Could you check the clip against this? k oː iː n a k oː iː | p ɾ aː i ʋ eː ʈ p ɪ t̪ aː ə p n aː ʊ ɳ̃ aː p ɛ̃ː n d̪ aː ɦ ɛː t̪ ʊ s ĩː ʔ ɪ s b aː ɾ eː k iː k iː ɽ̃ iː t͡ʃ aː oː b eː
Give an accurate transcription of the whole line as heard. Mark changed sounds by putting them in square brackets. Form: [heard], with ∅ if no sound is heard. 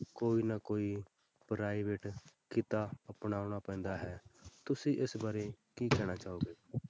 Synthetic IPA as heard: k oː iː n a k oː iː | p ɾ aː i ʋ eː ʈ [k] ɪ t̪ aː ə p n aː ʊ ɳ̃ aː p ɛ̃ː n d̪ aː ɦ ɛː t̪ ʊ s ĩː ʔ ɪ s b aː ɾ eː k iː k [ɛː] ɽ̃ [aː] t͡ʃ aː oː [ɡ] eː